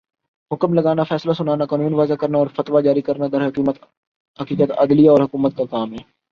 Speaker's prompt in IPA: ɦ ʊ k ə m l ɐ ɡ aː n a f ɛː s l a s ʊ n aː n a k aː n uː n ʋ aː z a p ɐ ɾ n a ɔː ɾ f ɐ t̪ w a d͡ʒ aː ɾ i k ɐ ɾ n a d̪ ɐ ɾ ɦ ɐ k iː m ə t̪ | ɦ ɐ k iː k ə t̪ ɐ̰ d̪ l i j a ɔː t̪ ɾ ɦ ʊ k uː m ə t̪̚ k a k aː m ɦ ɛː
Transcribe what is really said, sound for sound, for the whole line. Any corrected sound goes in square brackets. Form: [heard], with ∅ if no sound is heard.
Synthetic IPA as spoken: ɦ ʊ k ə m l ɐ ɡ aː n a f ɛː s l a s ʊ n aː n a k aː n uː n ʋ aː z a [k] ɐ ɾ n a ɔː ɾ f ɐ t̪ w a d͡ʒ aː ɾ i k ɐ ɾ n a d̪ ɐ ɾ ɦ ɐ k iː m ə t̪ | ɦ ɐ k iː k ə t̪ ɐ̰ d̪ l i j a ɔː [∅] ɾ ɦ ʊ k uː m ə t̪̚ k a k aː m ɦ ɛː